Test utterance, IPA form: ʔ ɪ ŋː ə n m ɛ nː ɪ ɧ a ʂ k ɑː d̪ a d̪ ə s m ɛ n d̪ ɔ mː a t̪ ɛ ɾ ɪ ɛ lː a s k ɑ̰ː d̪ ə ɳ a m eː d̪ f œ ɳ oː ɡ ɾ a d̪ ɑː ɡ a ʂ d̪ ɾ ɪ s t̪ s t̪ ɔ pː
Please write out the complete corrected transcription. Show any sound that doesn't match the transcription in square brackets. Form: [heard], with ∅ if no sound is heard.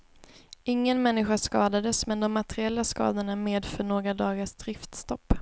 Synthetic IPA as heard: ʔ ɪ ŋː ə n m ɛ nː ɪ ɧ a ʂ k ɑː d̪ a d̪ ə s m ɛ n d̪ ɔ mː a t̪ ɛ ɾ ɪ ɛ lː a s k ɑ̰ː d̪ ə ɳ a m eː d̪ f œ ɳ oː ɡ ɾ a d̪ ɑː ɡ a ʂ d̪ ɾ ɪ [f] t̪ s t̪ ɔ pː